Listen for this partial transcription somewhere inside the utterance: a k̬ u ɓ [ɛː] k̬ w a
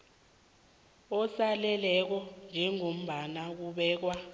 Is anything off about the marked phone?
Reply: no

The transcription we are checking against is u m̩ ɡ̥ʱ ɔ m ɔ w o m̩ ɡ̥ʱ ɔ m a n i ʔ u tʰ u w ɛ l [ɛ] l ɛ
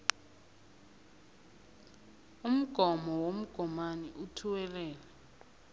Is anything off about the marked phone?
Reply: yes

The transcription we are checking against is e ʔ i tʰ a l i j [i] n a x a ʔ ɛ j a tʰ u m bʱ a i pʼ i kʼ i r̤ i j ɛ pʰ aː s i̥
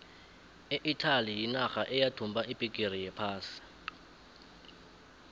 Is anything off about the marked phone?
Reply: no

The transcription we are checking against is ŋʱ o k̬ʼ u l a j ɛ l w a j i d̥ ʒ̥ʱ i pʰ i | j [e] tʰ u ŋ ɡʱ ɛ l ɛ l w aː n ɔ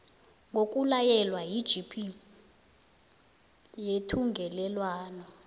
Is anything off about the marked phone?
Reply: no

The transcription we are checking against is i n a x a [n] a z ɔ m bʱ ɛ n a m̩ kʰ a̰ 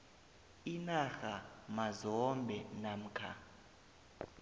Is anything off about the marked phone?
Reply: yes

